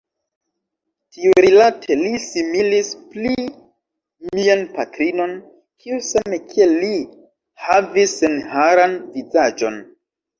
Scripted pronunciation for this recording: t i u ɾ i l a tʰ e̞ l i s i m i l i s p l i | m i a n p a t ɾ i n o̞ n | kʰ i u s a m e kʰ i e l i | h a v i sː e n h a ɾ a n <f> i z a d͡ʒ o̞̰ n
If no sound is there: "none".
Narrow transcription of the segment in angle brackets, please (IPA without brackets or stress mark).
v